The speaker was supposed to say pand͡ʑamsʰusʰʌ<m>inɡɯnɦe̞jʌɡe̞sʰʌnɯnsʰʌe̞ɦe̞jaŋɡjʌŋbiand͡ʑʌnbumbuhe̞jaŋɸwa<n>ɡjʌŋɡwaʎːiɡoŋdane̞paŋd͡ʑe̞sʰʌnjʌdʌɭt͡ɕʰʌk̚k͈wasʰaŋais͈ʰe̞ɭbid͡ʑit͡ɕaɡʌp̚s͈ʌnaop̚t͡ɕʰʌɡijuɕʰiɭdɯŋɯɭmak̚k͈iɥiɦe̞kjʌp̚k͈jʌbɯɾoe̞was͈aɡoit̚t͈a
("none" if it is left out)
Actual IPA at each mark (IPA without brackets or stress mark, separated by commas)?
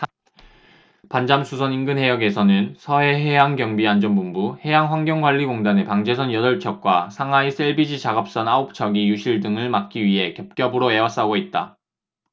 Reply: n, ŋ